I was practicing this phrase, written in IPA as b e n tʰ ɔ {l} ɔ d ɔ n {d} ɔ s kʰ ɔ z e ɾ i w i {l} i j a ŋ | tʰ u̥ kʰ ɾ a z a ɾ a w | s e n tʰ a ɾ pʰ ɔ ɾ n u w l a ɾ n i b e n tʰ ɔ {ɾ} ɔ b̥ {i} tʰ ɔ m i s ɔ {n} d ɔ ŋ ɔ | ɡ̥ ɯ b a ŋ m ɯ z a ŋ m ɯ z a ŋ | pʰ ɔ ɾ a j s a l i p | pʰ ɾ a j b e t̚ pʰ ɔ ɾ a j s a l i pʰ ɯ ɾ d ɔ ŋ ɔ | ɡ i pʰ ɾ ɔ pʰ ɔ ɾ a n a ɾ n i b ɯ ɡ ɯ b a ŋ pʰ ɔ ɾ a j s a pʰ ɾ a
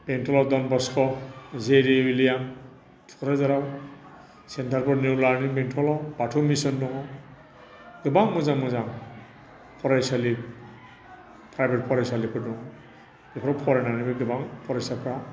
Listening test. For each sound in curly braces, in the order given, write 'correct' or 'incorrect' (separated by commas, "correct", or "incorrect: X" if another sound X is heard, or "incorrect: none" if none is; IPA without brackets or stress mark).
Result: correct, incorrect: b, correct, incorrect: l, incorrect: a, correct